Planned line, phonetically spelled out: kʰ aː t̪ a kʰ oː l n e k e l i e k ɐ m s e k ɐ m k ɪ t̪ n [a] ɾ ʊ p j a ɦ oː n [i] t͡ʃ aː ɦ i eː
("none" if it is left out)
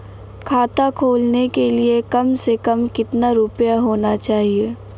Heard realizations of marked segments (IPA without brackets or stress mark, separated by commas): a, a